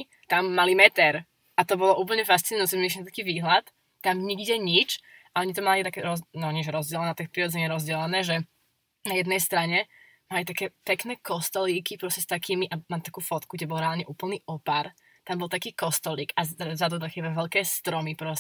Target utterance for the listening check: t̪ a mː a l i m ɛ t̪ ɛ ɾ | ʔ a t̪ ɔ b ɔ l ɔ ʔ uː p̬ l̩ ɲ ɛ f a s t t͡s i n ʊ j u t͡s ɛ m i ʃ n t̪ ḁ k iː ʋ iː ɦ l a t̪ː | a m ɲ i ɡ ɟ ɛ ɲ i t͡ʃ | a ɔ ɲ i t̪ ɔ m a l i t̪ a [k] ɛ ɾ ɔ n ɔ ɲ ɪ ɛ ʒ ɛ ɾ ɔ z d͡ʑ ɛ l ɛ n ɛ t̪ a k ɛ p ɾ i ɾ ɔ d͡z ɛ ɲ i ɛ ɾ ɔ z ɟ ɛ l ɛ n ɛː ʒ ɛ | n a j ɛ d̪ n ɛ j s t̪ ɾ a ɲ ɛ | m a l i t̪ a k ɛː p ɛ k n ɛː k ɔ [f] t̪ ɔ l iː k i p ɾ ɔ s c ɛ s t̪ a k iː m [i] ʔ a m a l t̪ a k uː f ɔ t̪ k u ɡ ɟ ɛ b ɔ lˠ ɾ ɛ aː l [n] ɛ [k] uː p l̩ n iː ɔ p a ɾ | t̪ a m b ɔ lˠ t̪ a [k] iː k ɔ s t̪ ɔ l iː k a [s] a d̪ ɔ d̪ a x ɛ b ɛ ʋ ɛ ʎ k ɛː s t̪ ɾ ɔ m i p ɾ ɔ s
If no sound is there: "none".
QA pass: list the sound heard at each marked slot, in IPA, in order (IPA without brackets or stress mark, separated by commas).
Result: k, s, i, ɲ, ʔ, k, z